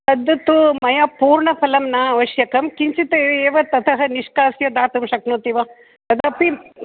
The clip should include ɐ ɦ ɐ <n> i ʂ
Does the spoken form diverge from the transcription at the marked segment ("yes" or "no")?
no